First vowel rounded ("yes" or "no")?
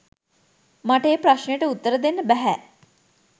no